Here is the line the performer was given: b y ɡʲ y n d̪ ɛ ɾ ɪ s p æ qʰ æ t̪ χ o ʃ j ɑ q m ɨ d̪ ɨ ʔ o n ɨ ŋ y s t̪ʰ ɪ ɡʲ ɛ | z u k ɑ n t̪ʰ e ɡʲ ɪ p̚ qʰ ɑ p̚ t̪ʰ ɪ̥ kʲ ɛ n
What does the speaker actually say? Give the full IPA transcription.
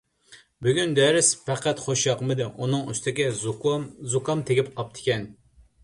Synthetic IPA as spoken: b y ɡʲ y n d̪ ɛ ɾ ɪ s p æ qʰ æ t̪ χ o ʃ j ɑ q m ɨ d̪ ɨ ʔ u n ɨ ŋ y s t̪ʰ ɪ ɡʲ ɛ | z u k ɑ m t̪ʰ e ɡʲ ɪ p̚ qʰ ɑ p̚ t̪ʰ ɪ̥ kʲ ɛ n